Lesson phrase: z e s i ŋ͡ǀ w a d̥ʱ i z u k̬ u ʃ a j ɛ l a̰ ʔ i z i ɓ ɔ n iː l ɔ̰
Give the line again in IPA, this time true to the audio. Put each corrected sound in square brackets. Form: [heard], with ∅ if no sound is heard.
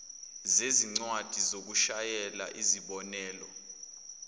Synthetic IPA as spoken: z e [z] i ŋ͡ǀ w a d̥ʱ i z [o] k̬ u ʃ a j ɛ l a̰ ʔ i z i ɓ ɔ n [ɛː] l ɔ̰